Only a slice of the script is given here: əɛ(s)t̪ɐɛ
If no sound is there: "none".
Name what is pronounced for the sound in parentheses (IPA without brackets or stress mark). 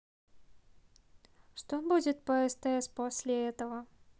s